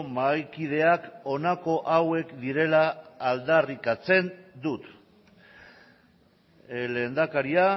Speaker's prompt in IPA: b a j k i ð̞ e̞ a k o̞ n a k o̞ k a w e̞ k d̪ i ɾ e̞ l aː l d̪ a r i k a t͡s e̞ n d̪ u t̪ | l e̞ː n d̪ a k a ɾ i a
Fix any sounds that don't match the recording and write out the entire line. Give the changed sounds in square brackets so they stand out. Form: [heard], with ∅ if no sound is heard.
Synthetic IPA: [m] a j k i ð̞ e̞ a k o̞ n a k o̞ [ʔ] a w e̞ k d̪ i ɾ e̞ l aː l d̪ a r i k a t͡s e̞ n d̪ u t̪ | l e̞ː n d̪ a k a ɾ i a